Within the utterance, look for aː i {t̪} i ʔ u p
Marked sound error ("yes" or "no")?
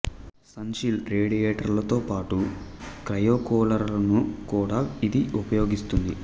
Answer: yes